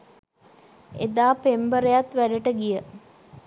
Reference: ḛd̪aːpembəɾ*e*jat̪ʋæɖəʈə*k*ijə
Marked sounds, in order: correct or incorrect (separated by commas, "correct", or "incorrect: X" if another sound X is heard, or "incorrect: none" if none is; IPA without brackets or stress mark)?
correct, incorrect: ɡ